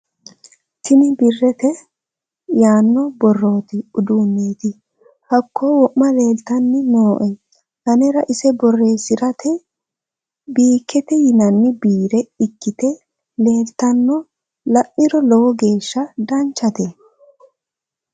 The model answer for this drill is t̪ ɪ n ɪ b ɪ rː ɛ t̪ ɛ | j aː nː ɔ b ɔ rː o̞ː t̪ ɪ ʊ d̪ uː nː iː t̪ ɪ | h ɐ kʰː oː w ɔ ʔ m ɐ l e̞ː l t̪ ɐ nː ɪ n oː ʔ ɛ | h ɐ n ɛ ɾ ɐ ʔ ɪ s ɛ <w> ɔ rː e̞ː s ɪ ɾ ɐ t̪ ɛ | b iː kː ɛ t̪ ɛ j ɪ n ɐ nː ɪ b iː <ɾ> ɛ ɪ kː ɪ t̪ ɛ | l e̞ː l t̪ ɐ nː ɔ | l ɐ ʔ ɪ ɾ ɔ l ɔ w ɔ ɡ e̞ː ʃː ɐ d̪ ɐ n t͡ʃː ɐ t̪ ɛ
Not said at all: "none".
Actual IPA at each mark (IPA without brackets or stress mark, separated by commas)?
b, ɾ